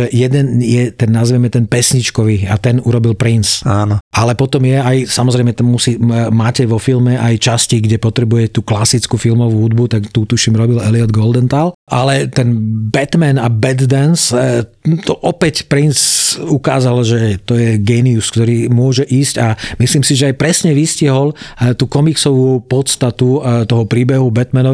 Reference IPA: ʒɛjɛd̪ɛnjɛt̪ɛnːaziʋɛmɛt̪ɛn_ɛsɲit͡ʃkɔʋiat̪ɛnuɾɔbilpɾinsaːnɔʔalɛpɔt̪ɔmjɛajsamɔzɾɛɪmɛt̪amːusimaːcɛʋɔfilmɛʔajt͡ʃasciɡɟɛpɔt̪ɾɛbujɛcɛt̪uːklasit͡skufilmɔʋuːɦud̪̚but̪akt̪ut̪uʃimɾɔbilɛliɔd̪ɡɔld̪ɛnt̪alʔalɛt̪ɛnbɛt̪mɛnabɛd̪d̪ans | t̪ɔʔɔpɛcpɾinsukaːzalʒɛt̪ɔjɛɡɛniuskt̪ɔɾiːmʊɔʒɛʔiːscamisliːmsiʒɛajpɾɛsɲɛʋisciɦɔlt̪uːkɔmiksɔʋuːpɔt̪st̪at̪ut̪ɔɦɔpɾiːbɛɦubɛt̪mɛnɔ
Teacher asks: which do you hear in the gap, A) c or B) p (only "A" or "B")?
B